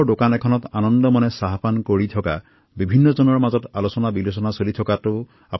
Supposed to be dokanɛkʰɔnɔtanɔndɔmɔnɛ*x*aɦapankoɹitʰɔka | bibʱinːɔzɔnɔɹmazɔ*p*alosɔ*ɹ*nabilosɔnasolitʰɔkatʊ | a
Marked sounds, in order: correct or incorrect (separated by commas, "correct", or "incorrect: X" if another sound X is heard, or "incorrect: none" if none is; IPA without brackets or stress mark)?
incorrect: s, incorrect: t, incorrect: none